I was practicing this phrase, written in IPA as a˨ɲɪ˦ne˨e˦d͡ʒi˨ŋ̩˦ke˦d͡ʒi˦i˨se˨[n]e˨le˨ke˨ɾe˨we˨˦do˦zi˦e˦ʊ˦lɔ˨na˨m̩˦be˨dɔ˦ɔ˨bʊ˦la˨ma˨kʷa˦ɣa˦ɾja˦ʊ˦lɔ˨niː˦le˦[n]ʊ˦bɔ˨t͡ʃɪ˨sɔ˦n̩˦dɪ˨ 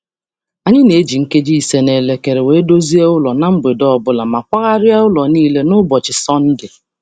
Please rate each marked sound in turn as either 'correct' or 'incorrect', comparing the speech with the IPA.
correct, correct

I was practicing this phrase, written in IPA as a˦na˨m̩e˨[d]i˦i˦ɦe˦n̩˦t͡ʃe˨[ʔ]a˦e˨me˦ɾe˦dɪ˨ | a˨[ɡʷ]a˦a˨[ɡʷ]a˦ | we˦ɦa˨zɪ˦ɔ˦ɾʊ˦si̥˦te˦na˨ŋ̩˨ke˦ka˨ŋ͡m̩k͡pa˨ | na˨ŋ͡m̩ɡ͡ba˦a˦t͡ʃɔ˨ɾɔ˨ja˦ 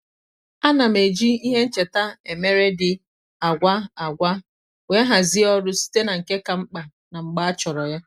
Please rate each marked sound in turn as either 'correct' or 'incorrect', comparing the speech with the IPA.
incorrect, incorrect, correct, correct

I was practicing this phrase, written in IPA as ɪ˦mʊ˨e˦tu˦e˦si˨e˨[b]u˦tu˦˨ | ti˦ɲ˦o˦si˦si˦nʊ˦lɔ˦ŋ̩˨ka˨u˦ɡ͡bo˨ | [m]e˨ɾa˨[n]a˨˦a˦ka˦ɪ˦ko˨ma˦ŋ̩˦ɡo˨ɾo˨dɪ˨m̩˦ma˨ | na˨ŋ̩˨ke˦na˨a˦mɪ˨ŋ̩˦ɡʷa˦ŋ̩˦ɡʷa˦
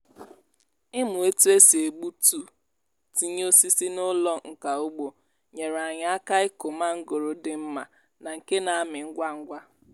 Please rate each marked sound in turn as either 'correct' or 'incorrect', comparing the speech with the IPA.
incorrect, incorrect, incorrect

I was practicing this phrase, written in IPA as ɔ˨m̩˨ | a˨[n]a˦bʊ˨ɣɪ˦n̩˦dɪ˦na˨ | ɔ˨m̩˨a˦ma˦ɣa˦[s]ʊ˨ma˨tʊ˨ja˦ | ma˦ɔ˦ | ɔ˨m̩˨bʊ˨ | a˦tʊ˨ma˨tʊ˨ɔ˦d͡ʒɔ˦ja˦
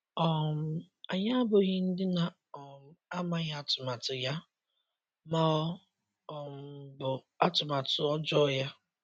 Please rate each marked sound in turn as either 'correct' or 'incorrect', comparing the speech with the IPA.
incorrect, incorrect

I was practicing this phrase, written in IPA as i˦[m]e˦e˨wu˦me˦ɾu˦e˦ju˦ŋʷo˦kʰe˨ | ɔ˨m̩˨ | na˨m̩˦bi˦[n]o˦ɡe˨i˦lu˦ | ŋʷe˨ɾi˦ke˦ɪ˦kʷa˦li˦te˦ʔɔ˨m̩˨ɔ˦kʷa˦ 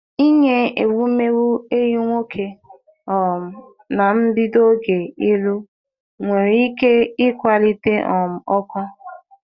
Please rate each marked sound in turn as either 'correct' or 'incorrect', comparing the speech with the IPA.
incorrect, incorrect

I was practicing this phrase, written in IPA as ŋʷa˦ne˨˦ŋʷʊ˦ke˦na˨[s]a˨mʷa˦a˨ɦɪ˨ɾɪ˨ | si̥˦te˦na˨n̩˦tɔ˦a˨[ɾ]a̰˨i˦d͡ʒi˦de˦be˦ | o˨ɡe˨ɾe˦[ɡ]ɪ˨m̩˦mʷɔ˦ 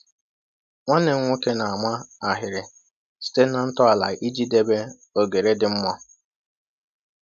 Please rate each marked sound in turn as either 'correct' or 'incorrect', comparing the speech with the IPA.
incorrect, incorrect, incorrect

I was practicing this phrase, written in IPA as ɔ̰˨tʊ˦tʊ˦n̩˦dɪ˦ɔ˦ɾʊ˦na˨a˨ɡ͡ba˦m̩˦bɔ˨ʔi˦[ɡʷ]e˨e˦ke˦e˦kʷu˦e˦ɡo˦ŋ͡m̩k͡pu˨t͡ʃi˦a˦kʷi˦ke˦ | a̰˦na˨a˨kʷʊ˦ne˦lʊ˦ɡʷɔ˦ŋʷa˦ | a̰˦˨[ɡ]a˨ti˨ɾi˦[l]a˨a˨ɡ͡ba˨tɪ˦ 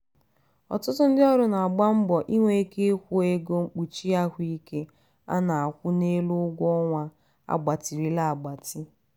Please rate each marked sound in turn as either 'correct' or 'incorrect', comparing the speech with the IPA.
incorrect, incorrect, correct

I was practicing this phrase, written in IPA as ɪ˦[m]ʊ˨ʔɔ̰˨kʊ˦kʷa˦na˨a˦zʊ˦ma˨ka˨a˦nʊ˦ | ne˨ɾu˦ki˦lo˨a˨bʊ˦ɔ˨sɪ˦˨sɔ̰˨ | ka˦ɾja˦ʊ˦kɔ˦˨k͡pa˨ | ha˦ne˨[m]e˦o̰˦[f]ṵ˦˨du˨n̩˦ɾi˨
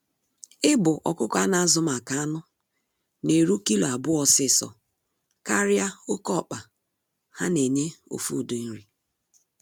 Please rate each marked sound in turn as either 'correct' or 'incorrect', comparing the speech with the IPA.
incorrect, incorrect, correct

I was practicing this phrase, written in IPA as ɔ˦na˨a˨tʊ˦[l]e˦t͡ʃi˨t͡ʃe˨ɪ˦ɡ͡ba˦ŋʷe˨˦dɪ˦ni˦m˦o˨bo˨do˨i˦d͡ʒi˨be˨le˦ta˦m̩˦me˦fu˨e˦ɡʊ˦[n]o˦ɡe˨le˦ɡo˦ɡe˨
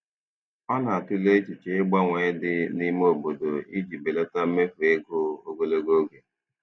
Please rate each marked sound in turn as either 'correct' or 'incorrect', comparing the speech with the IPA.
correct, incorrect

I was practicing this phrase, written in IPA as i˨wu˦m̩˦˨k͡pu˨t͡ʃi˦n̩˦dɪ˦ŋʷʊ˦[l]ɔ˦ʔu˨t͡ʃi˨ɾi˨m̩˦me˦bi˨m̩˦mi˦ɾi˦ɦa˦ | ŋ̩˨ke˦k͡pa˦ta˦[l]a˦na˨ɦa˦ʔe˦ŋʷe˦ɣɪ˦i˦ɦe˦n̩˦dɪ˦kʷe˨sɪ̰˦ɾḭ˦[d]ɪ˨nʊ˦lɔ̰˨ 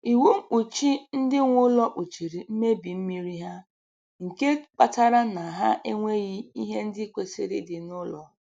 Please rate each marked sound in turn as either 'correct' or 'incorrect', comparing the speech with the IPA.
correct, incorrect, correct

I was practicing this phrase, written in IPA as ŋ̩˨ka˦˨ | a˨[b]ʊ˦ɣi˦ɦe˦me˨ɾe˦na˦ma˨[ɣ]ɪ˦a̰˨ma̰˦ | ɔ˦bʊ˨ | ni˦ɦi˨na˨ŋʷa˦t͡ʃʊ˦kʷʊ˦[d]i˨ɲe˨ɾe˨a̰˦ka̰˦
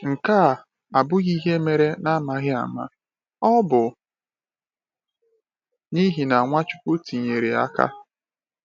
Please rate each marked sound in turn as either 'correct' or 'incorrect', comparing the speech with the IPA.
correct, correct, incorrect

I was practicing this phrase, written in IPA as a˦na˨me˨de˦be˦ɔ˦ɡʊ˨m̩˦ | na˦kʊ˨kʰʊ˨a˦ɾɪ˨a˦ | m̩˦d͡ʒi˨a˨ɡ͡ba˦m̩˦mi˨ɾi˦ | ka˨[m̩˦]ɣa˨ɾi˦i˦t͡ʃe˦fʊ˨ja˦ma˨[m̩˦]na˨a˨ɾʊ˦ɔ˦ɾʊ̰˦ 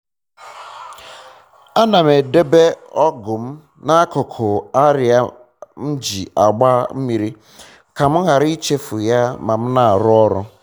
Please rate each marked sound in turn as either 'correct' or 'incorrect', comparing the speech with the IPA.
correct, correct

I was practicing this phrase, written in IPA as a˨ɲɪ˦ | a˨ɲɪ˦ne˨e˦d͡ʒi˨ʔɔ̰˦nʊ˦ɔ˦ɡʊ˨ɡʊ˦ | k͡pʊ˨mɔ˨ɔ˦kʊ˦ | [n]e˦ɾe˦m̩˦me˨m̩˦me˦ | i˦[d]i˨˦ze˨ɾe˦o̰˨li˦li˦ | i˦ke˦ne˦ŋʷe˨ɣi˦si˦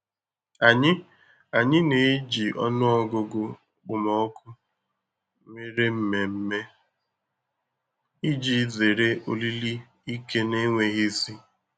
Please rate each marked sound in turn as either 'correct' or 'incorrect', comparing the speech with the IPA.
incorrect, incorrect

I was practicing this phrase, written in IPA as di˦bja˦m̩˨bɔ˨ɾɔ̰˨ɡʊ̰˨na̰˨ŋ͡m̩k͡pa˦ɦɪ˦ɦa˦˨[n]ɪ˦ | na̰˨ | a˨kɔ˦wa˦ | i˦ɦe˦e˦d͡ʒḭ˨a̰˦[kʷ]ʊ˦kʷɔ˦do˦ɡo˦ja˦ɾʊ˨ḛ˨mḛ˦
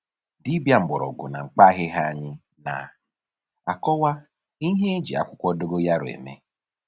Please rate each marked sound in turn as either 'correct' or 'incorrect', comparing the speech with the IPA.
incorrect, correct

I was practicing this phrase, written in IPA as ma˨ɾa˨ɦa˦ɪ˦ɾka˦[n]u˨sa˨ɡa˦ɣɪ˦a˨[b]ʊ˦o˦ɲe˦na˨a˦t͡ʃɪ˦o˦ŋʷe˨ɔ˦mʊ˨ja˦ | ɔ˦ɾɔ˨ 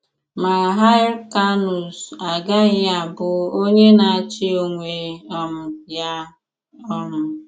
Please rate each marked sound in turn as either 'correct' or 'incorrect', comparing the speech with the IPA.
correct, correct

